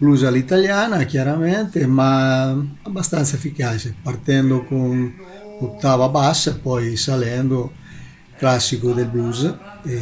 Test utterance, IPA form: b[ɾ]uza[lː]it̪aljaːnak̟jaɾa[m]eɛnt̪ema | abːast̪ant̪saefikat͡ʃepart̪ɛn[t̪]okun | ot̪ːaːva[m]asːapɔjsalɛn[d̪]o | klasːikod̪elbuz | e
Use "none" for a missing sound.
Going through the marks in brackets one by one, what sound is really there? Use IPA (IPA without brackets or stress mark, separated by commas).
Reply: l, l, m, d̪, b, d̪